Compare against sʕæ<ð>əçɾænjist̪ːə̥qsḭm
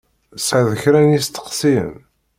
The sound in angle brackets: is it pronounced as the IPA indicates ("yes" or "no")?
yes